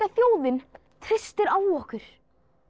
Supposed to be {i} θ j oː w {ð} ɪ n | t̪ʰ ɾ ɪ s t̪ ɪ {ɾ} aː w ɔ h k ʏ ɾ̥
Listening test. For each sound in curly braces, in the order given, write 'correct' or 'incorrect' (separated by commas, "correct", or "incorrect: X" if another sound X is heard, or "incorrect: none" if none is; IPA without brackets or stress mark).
incorrect: a, correct, correct